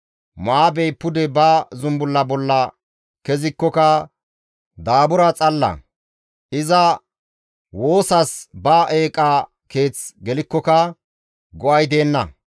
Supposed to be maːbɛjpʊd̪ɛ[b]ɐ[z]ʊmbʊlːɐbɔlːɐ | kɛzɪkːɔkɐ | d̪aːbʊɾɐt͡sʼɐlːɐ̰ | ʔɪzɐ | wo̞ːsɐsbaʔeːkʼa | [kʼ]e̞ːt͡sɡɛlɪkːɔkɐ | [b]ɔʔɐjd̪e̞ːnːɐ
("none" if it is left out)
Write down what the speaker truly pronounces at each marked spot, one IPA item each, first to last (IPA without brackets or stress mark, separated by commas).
b, z, k, ɡ